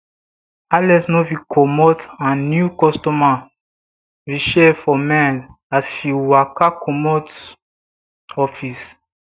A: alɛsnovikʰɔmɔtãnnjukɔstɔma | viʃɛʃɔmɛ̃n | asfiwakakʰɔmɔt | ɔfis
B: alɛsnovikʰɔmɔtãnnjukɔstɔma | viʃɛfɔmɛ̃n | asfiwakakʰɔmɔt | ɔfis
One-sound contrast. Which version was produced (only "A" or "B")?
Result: B